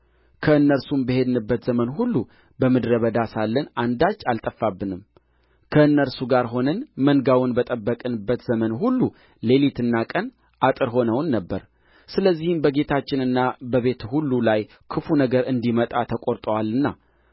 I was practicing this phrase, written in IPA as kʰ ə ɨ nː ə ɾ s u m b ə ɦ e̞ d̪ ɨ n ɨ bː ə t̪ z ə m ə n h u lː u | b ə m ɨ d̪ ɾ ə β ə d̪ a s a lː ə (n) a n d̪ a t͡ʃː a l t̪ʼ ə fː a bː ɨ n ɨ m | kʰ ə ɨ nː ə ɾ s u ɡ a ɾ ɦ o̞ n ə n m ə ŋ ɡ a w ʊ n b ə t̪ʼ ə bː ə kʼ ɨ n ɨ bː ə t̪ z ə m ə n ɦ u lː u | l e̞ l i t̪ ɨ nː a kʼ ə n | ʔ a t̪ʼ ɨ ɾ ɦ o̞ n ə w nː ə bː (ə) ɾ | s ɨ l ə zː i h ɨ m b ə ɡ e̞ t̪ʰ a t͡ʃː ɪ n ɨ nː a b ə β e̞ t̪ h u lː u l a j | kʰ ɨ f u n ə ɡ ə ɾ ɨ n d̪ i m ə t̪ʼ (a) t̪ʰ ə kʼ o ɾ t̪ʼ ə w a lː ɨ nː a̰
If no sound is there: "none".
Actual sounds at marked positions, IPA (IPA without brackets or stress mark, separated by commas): n, ə, a